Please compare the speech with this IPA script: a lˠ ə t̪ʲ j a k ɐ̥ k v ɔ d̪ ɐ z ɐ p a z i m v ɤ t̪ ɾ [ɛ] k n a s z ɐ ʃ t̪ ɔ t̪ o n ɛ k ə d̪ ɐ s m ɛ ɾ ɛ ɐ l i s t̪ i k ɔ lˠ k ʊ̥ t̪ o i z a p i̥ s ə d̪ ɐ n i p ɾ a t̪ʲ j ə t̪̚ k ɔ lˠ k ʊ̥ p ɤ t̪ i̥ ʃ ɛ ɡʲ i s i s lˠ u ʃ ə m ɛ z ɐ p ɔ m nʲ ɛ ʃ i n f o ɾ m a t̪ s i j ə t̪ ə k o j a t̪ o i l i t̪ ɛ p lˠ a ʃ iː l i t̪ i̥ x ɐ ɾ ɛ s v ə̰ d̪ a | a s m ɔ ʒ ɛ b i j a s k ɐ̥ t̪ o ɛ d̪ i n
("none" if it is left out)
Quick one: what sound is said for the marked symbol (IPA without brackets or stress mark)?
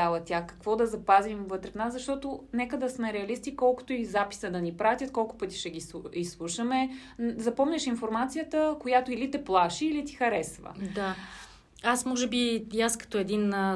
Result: ɛ